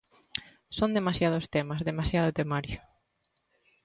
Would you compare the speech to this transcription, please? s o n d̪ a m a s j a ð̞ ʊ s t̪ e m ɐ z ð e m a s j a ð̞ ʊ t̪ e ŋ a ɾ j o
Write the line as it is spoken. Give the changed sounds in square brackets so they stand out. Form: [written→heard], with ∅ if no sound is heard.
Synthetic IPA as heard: s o n d̪ [a→e] m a s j a ð̞ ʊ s t̪ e m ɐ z ð e m a s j a ð̞ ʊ t̪ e [ŋ→m] a ɾ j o